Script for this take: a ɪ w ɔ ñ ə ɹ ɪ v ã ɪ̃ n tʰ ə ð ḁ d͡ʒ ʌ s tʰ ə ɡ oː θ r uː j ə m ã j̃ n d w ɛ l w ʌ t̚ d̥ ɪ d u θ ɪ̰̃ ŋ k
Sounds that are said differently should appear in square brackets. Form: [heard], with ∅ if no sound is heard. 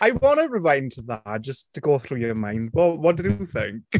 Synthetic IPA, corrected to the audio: a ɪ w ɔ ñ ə ɹ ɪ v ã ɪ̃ n tʰ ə ð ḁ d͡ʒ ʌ s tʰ ə ɡ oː θ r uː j ə m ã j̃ n d w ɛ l w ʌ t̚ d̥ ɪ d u θ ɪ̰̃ ŋ k